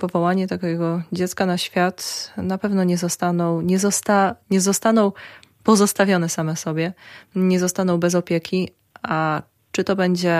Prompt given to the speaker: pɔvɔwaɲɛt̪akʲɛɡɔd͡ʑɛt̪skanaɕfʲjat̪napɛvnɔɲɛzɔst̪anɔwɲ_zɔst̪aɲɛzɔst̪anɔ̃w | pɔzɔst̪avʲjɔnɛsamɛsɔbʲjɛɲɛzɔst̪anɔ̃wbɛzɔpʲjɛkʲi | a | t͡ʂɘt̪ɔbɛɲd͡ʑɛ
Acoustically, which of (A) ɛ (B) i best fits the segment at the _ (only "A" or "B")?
A